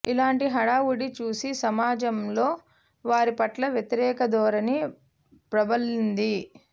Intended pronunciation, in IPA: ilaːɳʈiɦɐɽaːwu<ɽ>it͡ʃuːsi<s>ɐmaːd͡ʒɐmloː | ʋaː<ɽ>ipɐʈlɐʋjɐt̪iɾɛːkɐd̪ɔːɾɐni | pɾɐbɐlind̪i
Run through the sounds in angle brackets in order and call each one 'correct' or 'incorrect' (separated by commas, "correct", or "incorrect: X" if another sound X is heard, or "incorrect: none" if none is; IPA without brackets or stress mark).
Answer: correct, correct, incorrect: ɾ